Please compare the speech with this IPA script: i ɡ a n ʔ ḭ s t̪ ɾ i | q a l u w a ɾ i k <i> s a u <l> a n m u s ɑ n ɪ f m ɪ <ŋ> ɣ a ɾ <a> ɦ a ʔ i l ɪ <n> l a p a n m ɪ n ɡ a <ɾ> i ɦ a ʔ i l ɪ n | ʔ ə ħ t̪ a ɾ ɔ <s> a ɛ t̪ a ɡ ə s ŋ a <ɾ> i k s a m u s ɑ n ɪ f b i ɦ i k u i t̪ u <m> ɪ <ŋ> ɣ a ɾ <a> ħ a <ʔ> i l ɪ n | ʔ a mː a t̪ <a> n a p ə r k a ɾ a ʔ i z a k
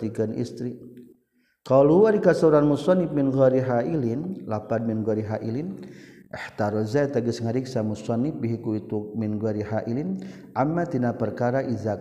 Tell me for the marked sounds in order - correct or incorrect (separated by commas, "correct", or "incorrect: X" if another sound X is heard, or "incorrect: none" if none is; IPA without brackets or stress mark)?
incorrect: a, incorrect: ɾ, incorrect: n, incorrect: i, correct, correct, incorrect: z, correct, correct, incorrect: n, incorrect: i, correct, incorrect: i